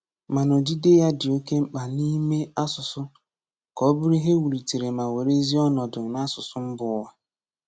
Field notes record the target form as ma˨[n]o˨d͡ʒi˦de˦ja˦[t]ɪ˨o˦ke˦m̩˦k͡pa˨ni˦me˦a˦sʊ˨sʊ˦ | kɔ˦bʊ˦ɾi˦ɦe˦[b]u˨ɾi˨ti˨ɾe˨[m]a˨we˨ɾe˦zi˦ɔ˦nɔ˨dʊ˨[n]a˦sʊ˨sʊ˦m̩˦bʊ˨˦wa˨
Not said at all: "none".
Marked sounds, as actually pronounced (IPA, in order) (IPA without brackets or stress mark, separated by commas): n, d, w, m, n